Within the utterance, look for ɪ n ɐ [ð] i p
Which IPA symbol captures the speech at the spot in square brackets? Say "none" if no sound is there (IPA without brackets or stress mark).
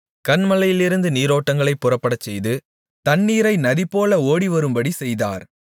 ð